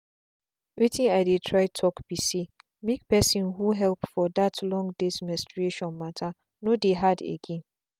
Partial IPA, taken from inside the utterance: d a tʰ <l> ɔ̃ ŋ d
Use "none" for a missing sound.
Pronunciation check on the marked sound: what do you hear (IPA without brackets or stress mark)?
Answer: l